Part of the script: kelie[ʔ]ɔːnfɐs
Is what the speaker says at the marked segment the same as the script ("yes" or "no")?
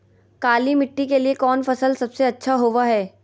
no